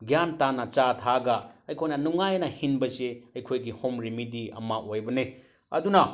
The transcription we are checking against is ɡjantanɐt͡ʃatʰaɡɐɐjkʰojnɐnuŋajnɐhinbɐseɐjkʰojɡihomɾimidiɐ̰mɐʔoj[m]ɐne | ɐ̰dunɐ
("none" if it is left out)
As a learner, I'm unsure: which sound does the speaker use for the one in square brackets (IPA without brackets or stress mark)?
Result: b